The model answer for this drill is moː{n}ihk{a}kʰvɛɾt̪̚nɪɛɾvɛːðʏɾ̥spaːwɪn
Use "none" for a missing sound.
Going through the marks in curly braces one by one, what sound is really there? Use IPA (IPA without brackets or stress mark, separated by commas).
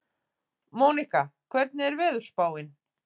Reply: n, a